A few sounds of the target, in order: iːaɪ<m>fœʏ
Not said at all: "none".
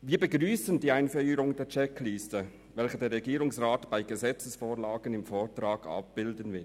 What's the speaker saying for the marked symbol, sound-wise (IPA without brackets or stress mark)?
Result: n